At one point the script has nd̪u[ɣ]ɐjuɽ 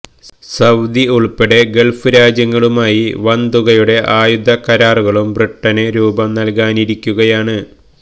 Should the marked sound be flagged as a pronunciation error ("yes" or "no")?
no